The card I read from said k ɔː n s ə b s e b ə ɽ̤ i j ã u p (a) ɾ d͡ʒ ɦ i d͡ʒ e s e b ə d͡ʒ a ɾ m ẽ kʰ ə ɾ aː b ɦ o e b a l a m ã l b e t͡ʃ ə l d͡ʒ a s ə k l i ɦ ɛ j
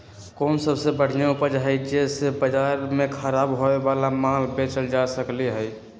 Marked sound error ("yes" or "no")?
yes